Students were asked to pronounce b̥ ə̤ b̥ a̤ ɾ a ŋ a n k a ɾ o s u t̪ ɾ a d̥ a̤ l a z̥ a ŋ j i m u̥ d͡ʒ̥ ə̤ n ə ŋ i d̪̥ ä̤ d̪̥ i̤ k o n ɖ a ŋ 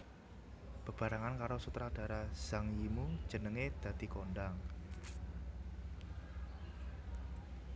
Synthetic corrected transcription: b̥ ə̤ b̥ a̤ ɾ a ŋ a n k a ɾ o s u t̪ ɾ a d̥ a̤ ɾ a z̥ a ŋ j i m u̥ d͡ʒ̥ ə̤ n ə ŋ e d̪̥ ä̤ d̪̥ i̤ k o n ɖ a ŋ